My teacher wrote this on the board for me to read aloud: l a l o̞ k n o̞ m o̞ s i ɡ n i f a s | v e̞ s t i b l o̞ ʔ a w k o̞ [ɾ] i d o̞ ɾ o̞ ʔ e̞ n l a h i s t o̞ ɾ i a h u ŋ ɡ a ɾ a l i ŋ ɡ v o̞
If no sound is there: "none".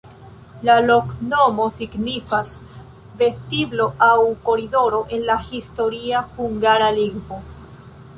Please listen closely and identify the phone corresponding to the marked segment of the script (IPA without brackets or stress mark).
ɾ